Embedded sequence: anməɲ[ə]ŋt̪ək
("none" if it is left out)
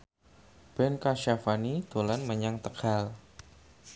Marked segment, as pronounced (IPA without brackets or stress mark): a